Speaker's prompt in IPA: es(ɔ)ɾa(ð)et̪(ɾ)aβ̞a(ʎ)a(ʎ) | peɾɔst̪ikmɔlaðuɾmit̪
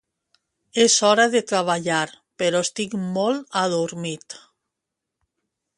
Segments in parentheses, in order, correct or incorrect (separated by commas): correct, correct, correct, correct, incorrect